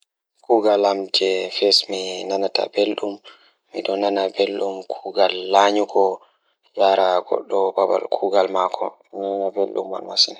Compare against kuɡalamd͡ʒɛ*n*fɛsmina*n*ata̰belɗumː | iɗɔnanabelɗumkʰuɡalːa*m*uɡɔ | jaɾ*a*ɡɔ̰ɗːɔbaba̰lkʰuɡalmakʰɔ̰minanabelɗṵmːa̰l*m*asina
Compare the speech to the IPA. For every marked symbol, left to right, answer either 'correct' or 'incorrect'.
incorrect: none, correct, incorrect: ɲ, correct, correct

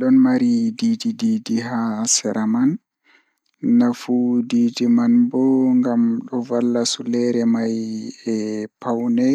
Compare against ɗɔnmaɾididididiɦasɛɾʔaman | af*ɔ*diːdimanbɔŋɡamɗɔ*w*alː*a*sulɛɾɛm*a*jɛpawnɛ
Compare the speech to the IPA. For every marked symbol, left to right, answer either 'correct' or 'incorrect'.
incorrect: u, incorrect: v, correct, correct

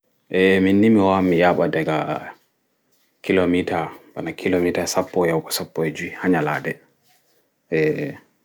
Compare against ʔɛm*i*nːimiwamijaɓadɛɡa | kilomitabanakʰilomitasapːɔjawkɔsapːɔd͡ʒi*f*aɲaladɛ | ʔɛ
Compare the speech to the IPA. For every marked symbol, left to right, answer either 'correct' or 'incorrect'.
correct, incorrect: h

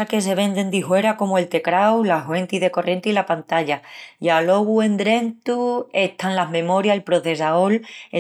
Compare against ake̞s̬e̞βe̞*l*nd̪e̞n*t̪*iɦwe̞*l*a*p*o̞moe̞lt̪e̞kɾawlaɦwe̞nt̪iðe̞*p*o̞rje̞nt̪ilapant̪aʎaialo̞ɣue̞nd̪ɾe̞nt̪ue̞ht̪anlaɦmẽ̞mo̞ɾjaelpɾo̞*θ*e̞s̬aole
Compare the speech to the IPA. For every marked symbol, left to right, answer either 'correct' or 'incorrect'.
incorrect: none, incorrect: d̪, incorrect: ɾ, incorrect: k, incorrect: k, correct

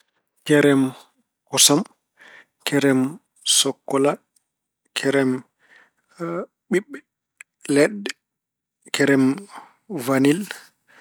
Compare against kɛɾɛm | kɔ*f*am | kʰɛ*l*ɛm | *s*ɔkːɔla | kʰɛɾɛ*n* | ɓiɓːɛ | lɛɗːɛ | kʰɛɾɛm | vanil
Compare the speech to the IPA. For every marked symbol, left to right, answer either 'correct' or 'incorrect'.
incorrect: s, incorrect: ɾ, correct, incorrect: m

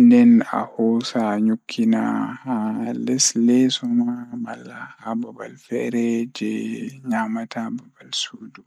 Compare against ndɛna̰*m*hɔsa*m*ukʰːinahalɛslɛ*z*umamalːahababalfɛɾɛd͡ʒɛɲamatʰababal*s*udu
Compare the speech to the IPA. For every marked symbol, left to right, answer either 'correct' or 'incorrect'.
incorrect: none, incorrect: ɲ, incorrect: s, correct

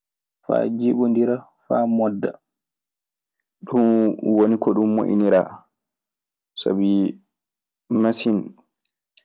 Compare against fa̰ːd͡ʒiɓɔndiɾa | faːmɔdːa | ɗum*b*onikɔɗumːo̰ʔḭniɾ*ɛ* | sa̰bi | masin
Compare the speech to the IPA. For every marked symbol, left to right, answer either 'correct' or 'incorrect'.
incorrect: w, incorrect: a

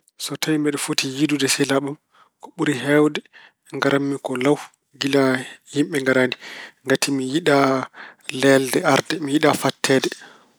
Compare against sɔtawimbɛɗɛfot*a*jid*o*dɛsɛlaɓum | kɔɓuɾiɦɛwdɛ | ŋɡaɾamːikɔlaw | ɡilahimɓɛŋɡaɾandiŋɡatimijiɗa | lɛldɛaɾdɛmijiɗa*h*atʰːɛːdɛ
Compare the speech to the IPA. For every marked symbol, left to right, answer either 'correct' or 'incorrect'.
incorrect: i, incorrect: u, incorrect: f

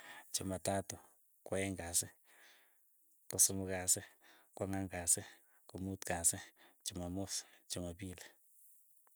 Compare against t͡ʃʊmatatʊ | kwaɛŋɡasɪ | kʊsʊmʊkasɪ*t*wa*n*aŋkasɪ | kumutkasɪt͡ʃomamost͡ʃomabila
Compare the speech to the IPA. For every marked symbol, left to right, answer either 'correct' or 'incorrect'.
incorrect: k, incorrect: ŋ

